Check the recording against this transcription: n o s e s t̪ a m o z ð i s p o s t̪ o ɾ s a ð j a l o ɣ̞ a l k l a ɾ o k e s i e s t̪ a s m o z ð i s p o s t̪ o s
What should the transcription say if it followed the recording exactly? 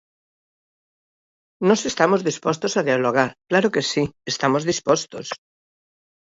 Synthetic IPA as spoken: n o s e s t̪ a m o z ð i s p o s t̪ o s a ð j a l o ɣ̞ a ɾ k l a ɾ o k e s i e s t̪ a m o z ð i s p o s t̪ o s